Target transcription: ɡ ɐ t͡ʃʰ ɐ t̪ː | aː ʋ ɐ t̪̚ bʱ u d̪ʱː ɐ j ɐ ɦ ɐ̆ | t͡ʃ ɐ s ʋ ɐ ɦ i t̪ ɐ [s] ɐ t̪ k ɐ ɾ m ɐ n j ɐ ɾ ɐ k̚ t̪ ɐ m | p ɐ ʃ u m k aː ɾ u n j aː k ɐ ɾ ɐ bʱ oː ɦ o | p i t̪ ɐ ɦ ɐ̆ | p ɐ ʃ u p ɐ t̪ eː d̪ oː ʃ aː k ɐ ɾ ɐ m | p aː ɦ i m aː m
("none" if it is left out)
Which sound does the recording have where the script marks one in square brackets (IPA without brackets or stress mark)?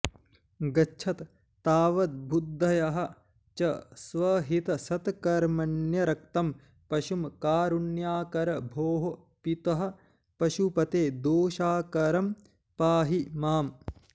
s